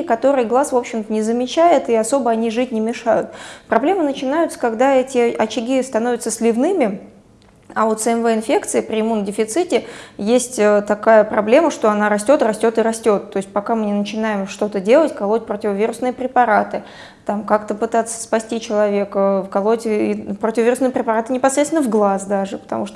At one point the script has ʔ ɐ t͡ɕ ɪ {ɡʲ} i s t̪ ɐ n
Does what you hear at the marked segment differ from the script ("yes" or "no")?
no